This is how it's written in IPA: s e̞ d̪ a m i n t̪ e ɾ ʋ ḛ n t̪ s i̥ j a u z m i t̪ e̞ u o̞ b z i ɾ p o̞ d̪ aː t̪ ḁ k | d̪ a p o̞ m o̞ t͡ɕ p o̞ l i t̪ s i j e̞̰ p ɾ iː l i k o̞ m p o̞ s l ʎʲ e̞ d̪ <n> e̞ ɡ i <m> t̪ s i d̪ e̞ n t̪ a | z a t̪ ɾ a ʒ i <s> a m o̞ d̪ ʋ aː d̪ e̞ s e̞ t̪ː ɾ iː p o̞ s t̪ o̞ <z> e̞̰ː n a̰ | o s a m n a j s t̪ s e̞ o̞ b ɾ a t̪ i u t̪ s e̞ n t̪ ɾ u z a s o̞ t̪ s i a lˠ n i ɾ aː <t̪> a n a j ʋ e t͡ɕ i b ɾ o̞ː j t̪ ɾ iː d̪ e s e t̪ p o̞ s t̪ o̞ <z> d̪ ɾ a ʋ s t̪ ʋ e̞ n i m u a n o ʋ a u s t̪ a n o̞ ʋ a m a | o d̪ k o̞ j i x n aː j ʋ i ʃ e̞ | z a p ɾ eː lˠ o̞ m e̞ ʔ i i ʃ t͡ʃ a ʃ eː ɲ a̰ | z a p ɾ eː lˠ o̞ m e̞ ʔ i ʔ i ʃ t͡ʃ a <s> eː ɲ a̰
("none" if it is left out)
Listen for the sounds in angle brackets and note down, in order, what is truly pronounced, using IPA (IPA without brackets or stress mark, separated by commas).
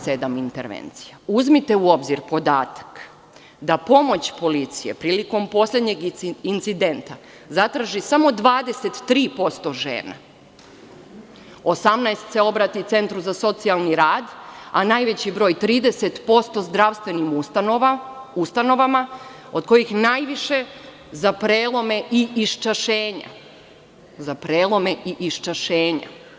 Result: ɲ, n, s, ʒ, d̪, z, ʃ